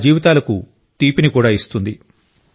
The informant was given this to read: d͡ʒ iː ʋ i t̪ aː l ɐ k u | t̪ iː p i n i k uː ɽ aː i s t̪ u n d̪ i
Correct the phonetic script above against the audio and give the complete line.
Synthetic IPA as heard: d͡ʒ iː ʋ i t̪ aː l ɐ k u | t̪ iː p i n i k uː ɽ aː i s t̪ u n d̪ i